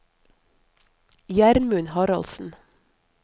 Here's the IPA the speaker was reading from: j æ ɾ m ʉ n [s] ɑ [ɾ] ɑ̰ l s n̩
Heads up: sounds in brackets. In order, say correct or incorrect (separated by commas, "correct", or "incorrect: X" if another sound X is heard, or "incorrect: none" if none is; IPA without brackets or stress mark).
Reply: incorrect: h, correct